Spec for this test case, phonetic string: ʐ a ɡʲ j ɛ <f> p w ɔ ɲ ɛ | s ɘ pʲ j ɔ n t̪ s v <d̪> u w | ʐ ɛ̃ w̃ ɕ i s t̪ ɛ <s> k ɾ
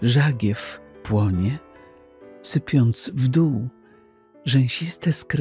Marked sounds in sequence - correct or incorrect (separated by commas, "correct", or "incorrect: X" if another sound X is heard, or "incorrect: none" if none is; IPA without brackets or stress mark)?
correct, correct, correct